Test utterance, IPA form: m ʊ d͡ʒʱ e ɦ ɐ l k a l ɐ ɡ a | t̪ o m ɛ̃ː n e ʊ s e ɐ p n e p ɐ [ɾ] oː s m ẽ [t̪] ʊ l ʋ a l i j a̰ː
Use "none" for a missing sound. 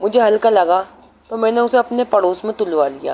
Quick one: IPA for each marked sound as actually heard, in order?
ɽ, t̪

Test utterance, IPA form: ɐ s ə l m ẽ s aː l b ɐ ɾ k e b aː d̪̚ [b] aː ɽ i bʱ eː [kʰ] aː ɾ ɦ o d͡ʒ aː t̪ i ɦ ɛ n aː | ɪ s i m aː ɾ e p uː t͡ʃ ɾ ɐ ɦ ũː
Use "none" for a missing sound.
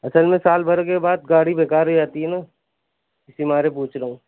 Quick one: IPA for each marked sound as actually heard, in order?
ɡ, k

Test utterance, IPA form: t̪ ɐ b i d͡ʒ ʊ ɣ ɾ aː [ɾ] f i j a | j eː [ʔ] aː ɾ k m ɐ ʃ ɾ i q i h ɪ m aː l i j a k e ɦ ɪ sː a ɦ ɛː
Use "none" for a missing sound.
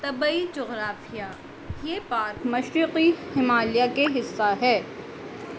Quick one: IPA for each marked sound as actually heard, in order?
none, p

